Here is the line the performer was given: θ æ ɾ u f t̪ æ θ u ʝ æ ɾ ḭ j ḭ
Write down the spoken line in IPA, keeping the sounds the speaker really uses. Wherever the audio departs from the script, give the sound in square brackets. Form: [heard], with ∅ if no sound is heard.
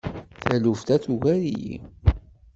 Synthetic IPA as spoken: θ æ [l] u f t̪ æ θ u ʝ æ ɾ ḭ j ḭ